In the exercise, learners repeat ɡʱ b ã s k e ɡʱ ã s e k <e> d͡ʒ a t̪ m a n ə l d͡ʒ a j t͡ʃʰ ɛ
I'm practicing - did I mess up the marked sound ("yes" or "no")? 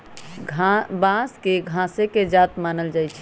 no